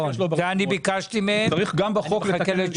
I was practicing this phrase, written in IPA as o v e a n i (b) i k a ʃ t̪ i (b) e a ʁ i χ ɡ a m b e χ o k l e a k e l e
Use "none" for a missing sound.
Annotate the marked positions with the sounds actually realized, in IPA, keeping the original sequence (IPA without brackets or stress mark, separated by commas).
b, m